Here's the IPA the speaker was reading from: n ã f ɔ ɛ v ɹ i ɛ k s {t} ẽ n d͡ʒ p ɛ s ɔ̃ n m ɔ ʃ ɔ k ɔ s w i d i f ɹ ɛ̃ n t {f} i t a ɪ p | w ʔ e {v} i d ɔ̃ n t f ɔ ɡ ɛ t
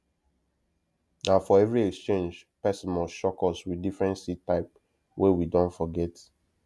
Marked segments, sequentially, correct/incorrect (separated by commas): incorrect, incorrect, incorrect